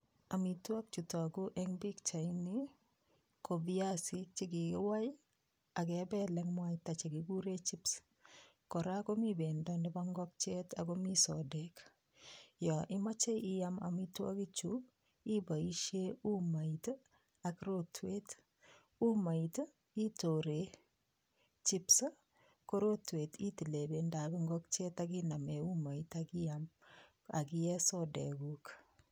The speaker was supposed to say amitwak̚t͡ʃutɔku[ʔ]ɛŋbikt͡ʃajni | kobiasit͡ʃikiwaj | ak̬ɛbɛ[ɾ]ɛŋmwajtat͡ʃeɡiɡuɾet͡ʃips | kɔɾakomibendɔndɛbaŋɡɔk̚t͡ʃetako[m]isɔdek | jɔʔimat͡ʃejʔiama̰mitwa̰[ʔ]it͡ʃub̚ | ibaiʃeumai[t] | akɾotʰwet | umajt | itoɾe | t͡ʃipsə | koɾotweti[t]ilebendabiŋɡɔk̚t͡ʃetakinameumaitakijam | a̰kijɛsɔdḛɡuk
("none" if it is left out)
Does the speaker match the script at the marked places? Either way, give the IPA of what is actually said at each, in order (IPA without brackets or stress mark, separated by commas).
ʔ, l, m, k, t, t